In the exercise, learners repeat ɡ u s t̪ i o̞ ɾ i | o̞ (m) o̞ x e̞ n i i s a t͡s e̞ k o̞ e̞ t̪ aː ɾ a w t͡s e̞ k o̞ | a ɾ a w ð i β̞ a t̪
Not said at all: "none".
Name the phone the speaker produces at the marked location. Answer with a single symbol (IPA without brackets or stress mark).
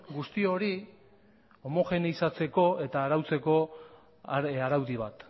m